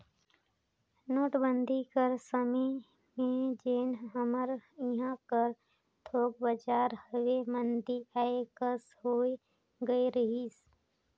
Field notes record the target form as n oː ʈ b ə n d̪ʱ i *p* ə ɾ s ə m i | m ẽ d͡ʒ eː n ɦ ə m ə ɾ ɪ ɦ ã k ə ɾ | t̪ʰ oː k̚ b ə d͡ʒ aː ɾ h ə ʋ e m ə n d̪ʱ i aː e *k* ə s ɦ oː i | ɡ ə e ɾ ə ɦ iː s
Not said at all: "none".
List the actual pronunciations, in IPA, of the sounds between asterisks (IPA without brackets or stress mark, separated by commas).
k, k